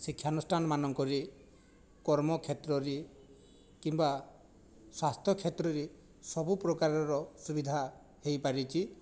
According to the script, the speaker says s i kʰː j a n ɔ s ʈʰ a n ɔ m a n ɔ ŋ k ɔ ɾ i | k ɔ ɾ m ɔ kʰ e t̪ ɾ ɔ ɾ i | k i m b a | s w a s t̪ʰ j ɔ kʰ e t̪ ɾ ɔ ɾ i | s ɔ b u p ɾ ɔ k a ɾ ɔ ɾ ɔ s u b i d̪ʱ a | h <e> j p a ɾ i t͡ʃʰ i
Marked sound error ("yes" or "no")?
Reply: no